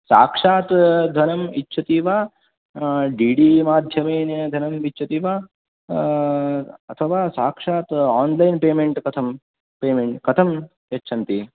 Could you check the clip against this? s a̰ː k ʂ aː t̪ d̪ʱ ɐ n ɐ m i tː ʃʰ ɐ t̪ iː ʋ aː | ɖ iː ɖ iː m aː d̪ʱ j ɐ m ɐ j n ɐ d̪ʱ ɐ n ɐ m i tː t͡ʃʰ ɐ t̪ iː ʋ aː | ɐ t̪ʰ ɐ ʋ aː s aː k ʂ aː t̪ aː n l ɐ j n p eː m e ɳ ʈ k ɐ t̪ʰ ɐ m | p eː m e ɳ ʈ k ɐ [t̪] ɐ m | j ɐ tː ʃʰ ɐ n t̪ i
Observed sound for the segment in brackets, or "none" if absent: t̪ʰ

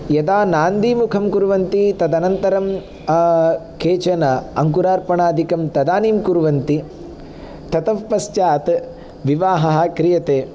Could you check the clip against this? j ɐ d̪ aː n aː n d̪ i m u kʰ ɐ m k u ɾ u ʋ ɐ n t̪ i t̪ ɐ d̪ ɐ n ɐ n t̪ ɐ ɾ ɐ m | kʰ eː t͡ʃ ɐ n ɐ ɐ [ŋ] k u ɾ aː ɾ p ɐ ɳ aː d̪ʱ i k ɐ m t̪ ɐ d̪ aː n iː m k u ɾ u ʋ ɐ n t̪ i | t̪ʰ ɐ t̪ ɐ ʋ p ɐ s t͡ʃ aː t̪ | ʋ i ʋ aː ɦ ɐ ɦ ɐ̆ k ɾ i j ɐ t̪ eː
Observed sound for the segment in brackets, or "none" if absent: ŋ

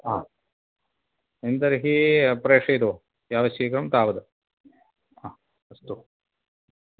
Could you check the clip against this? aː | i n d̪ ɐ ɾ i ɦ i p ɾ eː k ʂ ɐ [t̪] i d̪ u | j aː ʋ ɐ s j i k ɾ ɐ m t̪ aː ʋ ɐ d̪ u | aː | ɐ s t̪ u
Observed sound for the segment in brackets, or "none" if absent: none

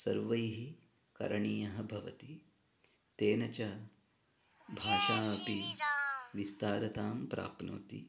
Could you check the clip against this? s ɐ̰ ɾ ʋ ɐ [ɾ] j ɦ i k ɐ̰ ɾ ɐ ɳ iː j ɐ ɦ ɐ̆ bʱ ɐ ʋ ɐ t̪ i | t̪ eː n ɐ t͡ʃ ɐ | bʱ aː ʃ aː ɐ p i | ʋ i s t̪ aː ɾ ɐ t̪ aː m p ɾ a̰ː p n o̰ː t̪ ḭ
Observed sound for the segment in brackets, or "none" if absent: none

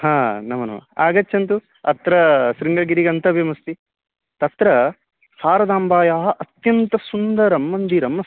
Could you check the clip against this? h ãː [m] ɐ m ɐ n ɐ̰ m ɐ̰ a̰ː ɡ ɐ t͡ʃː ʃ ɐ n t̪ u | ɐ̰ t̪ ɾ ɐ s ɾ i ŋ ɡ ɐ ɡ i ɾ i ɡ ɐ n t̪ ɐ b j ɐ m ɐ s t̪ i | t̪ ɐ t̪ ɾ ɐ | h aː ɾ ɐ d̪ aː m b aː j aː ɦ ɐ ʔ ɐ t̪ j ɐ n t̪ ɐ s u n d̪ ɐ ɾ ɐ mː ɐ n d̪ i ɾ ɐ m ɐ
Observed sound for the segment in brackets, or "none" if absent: n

